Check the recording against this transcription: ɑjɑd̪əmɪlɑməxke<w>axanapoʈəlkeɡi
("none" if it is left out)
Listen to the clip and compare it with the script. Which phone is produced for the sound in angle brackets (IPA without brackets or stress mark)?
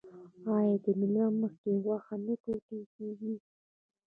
w